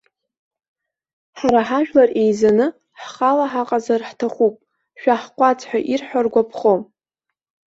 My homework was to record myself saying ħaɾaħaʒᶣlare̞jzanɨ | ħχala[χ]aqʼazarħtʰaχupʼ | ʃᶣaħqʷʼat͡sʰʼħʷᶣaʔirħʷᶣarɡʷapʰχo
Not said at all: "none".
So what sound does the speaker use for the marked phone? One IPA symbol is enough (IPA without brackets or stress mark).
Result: ħ